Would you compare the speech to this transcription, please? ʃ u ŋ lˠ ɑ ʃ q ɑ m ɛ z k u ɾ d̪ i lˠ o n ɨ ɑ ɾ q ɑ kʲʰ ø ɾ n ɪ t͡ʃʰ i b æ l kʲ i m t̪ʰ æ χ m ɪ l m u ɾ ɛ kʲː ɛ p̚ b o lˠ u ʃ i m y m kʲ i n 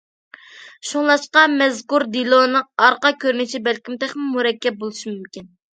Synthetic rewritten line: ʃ u ŋ lˠ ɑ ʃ q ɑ m ɛ z k u ɾ d̪ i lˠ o n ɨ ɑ ɾ q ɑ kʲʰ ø ɾ n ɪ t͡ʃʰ i b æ l kʲ i m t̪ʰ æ χ m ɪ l m u ɾ ɛ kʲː ɛ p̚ b o lˠ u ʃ i m y m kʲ i n